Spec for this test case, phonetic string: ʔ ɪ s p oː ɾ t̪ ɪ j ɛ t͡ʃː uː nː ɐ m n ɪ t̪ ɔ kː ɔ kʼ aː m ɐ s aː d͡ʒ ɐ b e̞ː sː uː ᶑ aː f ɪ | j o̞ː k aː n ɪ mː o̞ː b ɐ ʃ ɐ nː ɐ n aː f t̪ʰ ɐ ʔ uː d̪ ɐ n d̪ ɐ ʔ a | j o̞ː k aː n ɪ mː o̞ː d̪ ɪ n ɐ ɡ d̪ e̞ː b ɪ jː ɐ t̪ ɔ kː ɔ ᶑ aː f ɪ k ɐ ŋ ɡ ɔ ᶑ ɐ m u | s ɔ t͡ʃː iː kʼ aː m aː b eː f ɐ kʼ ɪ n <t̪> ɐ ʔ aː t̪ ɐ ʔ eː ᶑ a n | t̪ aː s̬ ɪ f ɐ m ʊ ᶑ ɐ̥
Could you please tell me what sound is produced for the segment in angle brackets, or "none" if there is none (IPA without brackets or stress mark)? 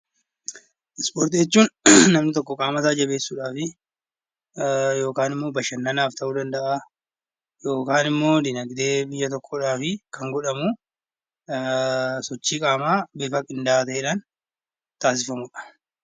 d̪